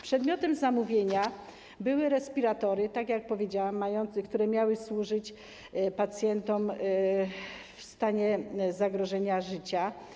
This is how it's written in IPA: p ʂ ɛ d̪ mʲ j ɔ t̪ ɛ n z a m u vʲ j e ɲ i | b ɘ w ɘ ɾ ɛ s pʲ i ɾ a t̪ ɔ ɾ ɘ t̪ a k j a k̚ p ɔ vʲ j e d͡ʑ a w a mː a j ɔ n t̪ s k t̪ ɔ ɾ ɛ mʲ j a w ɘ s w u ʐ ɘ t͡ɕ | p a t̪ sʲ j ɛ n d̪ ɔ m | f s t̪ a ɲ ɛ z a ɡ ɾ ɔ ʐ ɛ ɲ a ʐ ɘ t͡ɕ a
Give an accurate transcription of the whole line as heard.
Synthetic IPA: p ʂ ɛ d̪ mʲ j ɔ t̪ ɛ m z a m u vʲ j e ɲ a | b ɘ w ɘ ɾ ɛ s pʲ i ɾ a t̪ ɔ ɾ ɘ t̪ a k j a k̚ p ɔ vʲ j e d͡ʑ a w a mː a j ɔ n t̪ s k t̪ u ɾ ɛ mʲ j a w ɘ s w u ʐ ɘ t͡ɕ | p a t̪ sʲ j ɛ n t̪ ɔ m | f s t̪ a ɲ ɛ z a ɡ ɾ ɔ ʐ ɛ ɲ a ʐ ɘ t͡ɕ a

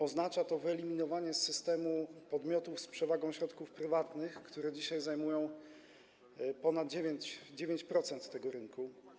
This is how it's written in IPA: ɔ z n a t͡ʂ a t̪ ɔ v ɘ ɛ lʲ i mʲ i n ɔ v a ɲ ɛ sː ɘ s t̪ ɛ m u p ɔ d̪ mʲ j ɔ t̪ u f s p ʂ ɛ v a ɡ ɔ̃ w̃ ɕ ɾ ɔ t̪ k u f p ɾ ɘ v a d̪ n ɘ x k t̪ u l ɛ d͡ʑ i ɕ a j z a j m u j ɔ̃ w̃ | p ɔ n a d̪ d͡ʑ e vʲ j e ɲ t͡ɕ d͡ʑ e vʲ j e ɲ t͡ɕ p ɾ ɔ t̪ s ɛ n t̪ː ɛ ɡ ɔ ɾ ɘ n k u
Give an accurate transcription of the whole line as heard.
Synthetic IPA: ɔ z n a t͡ʂ a t̪ ɔ v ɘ ɛ lʲ i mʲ i n ɔ v a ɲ ɛ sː ɘ s t̪ ɛ m u p ɔ d̪ mʲ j ɔ t̪ u f s p ʂ ɛ v a ɡ ɔ̃ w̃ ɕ ɾ ɔ t̪ k u f p ɾ ɘ v a t̪ n ɘ x k t̪ u ɾ ɛ d͡ʑ i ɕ a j z a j m u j ɔ̃ w̃ | p ɔ n a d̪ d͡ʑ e vʲ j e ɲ t͡ɕ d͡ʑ e vʲ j e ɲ t͡ɕ p ɾ ɔ t̪ s ɛ n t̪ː ɛ ɡ ɔ ɾ ɘ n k u

